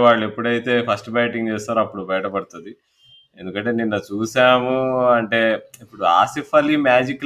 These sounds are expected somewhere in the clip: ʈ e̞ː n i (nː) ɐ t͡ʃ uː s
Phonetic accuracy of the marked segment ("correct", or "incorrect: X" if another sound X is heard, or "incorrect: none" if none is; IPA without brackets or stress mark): correct